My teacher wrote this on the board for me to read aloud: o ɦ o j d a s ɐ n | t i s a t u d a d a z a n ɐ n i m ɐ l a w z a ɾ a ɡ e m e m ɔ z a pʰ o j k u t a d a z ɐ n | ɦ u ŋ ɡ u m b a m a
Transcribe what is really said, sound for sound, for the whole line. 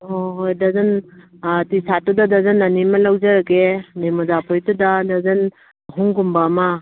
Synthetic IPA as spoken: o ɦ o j d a z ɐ n | t i s a t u d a d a z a n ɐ n i m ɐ l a w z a ɾ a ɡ e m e m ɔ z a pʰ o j t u d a d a z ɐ n | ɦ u ŋ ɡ u m b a m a